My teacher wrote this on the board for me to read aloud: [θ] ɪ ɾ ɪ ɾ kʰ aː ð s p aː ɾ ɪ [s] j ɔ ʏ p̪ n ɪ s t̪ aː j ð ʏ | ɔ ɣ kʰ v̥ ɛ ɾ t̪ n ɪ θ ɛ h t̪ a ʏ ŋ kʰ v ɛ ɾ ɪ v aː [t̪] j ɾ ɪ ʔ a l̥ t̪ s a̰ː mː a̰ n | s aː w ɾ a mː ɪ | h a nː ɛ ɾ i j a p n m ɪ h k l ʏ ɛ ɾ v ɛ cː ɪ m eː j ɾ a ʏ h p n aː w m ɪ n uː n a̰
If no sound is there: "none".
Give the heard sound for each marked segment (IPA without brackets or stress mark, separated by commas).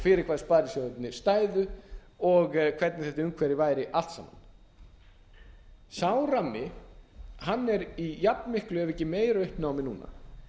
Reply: f, s, none